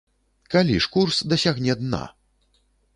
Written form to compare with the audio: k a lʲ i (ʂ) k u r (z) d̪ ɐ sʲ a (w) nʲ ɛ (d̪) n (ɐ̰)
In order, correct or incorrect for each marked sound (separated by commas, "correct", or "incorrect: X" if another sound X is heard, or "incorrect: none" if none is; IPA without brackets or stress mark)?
correct, incorrect: s, incorrect: ɣ, correct, incorrect: a̰